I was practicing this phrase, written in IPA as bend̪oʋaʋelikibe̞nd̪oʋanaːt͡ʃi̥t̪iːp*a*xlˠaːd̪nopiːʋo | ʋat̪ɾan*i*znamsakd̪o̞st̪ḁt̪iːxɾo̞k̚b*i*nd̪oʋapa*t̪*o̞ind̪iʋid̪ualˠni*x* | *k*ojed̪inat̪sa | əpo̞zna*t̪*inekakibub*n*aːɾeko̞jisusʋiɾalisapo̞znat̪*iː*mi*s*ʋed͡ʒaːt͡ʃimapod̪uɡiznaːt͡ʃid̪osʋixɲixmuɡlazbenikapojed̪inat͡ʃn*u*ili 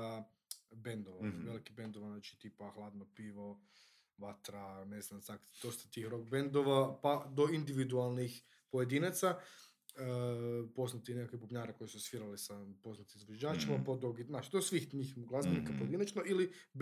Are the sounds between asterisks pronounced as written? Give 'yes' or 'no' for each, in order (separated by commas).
yes, no, no, no, yes, no, yes, no, no, no, no